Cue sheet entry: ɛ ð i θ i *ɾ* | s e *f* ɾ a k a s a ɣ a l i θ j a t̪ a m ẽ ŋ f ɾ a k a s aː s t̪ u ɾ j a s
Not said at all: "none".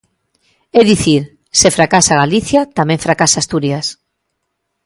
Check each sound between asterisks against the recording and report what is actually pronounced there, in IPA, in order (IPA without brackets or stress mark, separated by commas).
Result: ɾ, f